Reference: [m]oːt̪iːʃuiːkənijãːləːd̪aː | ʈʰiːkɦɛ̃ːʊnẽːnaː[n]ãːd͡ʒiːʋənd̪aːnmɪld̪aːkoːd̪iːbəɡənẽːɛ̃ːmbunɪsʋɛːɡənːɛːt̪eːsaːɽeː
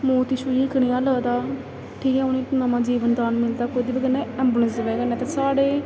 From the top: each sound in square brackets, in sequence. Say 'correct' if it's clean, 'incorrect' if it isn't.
correct, incorrect: m

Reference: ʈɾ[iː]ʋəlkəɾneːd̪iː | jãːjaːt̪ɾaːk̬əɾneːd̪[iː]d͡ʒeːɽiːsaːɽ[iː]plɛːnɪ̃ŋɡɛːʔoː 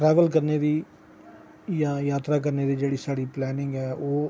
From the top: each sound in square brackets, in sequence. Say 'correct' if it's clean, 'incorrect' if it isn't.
incorrect: ɛː, correct, correct

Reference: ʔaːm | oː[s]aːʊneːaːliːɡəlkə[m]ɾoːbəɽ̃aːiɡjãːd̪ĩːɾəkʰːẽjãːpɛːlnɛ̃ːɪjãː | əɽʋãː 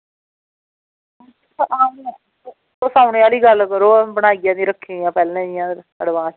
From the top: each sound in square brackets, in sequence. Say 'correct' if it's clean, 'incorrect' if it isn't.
correct, incorrect: none

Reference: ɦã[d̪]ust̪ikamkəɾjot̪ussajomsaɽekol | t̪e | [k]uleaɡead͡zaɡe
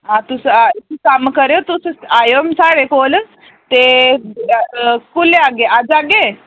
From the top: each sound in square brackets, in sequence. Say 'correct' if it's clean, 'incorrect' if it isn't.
incorrect: t̪, correct

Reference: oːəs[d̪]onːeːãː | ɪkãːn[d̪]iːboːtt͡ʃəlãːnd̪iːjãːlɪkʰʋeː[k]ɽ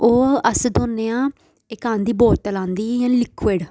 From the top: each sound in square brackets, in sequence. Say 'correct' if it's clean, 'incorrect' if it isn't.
correct, correct, incorrect: none

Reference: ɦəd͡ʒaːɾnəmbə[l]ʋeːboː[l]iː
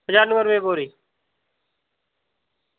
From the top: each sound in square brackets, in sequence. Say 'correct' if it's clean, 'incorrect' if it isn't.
incorrect: ɾ, incorrect: ɾ

